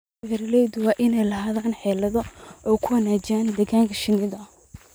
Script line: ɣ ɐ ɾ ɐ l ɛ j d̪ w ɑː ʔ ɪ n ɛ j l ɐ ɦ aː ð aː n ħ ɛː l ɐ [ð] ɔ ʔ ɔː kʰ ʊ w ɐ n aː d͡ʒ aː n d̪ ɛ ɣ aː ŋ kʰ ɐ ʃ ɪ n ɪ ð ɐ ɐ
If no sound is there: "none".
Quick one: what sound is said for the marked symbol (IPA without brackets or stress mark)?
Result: ð